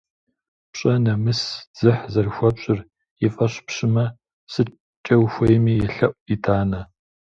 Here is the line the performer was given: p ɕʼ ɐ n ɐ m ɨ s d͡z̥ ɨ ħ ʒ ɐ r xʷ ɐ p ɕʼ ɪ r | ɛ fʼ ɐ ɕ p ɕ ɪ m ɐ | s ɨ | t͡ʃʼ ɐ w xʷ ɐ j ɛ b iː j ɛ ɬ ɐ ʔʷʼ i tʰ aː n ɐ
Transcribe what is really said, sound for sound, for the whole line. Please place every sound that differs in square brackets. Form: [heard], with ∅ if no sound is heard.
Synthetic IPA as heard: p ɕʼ ɐ n ɐ m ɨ s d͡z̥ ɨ ħ [z] ɐ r xʷ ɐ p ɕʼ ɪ r | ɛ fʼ ɐ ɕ p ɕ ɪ m ɐ | s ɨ | t͡ʃʼ ɐ w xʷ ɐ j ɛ [m] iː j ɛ ɬ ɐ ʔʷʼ i tʰ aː n ɐ